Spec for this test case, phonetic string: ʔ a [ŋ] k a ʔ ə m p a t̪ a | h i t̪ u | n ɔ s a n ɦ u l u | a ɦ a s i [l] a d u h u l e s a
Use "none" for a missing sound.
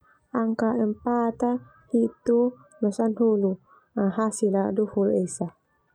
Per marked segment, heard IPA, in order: ŋ, l

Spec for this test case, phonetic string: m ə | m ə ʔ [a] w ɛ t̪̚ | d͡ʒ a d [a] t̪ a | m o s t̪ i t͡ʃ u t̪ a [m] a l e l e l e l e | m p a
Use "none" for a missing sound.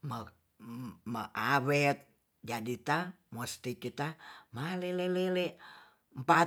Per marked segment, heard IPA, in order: a, i, m

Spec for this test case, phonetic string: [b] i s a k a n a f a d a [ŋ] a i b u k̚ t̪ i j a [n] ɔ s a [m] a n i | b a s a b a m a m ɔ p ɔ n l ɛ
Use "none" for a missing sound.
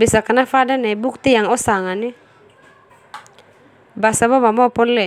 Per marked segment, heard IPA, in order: b, n, ŋ, ŋ

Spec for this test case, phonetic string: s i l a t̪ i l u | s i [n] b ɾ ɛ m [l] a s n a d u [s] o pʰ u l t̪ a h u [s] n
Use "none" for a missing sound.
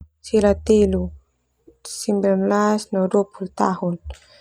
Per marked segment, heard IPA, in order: m, l, none, none

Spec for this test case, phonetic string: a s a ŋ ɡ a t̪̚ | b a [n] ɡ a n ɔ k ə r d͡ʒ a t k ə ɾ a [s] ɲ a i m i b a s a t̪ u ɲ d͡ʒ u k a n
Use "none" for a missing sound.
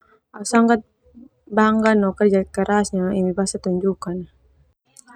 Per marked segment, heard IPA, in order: ŋ, s

